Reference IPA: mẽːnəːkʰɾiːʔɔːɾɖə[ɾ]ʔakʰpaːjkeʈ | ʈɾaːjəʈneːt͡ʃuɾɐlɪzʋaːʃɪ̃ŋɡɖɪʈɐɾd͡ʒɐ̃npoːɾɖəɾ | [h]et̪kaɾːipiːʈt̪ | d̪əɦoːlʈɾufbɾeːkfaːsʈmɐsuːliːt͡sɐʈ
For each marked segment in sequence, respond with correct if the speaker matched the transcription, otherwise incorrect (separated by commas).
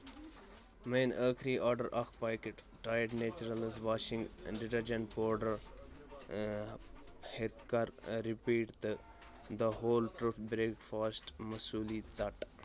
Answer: correct, correct